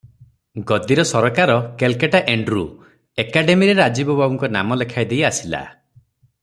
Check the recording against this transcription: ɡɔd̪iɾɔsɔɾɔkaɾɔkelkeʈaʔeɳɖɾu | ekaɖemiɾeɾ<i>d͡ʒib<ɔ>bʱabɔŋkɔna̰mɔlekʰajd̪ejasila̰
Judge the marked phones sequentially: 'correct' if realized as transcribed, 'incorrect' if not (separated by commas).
incorrect, correct